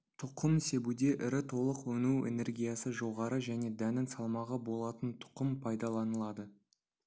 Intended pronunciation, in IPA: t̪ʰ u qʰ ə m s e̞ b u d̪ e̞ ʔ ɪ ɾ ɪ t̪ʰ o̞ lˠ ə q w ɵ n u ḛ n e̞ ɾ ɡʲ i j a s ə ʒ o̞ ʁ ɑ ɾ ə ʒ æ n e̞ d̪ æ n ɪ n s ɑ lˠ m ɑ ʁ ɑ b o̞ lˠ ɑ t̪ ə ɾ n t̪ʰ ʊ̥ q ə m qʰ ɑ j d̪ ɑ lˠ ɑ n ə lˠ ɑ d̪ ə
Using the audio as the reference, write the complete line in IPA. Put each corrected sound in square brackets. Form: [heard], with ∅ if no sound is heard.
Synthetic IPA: t̪ʰ [ʊ] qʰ ə m s e̞ b u d̪ e̞ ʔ ɪ ɾ ɪ t̪ʰ o̞ lˠ ə q w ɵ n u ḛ n e̞ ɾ ɡʲ i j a s ə ʒ o̞ ʁ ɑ ɾ ə ʒ æ n e̞ d̪ æ n ɪ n s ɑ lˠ m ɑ ʁ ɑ b o̞ lˠ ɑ t̪ ə [∅] n t̪ʰ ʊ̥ q ə m [pʰ] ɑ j d̪ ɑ lˠ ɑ n ə lˠ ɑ d̪ ə

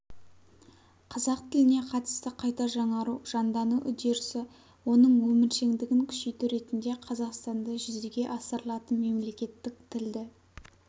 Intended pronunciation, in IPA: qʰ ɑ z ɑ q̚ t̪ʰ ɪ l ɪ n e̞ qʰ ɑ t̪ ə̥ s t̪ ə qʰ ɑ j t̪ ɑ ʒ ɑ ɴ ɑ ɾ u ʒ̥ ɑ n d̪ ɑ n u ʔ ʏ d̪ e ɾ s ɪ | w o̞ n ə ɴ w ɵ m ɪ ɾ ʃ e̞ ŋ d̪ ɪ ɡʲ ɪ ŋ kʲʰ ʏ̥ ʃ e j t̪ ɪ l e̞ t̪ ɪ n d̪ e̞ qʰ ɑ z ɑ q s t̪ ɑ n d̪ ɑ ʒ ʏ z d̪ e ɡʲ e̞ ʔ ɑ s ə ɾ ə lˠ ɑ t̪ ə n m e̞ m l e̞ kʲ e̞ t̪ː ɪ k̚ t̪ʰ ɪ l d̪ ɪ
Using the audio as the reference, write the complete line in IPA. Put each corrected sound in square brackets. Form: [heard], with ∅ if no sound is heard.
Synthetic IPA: qʰ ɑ z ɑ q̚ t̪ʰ ɪ l ɪ n e̞ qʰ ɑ t̪ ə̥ s t̪ ə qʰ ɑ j t̪ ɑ ʒ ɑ ɴ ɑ ɾ u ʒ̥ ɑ n d̪ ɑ n u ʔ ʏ d̪ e ɾ s ɪ | w o̞ n ə ɴ w ɵ m ɪ ɾ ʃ e̞ ŋ d̪ ɪ ɡʲ ɪ ŋ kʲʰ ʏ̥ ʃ e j t̪ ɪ [ɾ] e̞ t̪ ɪ n d̪ e̞ qʰ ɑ z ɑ q s t̪ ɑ n d̪ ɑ ʒ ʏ z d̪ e ɡʲ e̞ ʔ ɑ s ə ɾ ə lˠ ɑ t̪ ə n m e̞ m l e̞ kʲ e̞ t̪ː ɪ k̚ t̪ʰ ɪ l d̪ ɪ

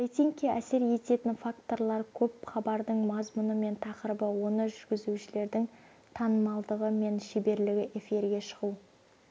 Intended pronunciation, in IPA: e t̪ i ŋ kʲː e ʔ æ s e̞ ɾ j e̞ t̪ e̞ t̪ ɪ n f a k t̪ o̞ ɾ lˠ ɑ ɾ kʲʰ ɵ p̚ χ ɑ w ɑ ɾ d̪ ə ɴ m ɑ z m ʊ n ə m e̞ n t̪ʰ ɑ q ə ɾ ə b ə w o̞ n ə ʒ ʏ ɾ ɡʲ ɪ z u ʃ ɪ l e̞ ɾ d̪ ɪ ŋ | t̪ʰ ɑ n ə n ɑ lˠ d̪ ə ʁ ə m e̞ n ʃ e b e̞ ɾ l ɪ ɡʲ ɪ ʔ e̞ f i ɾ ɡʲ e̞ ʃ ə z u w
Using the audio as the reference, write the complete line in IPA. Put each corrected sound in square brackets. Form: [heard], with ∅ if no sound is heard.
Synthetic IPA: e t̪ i ŋ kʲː e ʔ æ s e̞ ɾ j e̞ t̪ e̞ t̪ ɪ n f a k t̪ o̞ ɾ lˠ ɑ ɾ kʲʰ ɵ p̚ χ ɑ [b] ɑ ɾ d̪ ə ɴ m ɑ z m ʊ n ə m e̞ n t̪ʰ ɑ q ə ɾ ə b ə w o̞ n ə ʒ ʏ ɾ ɡʲ ɪ z u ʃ ɪ l e̞ ɾ d̪ ɪ ŋ | t̪ʰ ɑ n ə [m] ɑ lˠ d̪ ə ʁ ə m e̞ n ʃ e b e̞ ɾ l ɪ ɡʲ ɪ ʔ e̞ f i ɾ ɡʲ e̞ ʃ ə [ʁ] u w

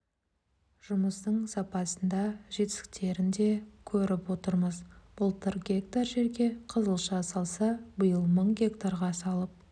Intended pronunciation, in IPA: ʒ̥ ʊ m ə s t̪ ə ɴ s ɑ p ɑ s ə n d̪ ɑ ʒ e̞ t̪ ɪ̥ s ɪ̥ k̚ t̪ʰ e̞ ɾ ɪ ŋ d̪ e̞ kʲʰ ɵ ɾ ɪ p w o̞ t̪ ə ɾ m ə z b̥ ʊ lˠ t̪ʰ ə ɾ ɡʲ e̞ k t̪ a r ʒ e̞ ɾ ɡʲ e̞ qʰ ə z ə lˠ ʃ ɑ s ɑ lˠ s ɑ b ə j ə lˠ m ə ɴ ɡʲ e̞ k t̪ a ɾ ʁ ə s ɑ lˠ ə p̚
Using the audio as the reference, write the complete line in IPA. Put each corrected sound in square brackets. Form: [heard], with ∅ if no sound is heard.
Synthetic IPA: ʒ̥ ʊ m ə s t̪ ə ɴ s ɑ p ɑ s ə n d̪ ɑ ʒ e̞ t̪ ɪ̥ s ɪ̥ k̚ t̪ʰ e̞ ɾ ɪ [n] d̪ e̞ kʲʰ ɵ ɾ ɪ p w o̞ t̪ ə ɾ m ə z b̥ ʊ lˠ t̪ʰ ə ɾ ɡʲ e̞ k t̪ a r ʒ e̞ ɾ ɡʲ e̞ qʰ ə z ə lˠ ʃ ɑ s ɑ lˠ s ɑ b ə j ə lˠ m ə ɴ ɡʲ e̞ k t̪ a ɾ ʁ [ɑ] s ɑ lˠ ə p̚

